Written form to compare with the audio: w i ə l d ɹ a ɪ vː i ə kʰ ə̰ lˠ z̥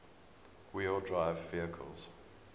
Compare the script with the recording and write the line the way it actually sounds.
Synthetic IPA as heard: w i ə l d ɹ a ɪ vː i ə kʰ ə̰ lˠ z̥